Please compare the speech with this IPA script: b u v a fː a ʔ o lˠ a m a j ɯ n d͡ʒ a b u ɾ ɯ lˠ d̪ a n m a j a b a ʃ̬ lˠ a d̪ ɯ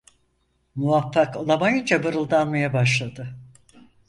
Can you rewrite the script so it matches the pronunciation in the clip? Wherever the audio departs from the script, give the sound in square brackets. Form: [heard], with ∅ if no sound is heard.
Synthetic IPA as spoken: [m] u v a fː a [k] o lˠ a m a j ɯ n d͡ʒ a b [ɯ] ɾ ɯ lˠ d̪ a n m a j a b a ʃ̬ lˠ a d̪ ɯ